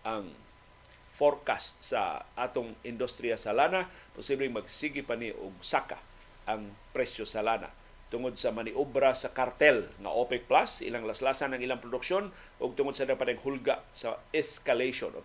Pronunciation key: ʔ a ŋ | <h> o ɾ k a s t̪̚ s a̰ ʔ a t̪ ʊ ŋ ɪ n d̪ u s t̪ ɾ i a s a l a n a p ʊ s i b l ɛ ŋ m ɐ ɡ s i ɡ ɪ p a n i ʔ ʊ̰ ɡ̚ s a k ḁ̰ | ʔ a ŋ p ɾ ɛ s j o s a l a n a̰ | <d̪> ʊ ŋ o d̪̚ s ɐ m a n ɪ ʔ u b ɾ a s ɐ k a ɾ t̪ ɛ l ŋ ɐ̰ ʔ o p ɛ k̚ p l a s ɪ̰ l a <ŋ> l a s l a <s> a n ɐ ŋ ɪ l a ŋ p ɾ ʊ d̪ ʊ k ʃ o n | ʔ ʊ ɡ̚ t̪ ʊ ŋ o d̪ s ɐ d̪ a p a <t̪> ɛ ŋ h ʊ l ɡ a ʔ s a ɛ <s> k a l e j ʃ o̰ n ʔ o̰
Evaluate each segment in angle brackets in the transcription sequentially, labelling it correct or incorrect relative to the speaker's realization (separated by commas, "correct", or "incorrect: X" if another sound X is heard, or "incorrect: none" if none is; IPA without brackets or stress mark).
incorrect: f, incorrect: t̪, correct, correct, correct, correct